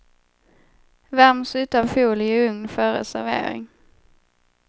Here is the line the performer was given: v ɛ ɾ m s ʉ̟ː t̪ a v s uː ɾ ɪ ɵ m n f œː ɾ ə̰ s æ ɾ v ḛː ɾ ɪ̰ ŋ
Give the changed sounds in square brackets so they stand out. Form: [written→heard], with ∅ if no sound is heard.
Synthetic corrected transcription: v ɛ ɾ m s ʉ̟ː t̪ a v [s→f] uː [ɾ→l] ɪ ɵ [m→ŋ] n f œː ɾ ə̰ s æ ɾ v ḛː ɾ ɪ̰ ŋ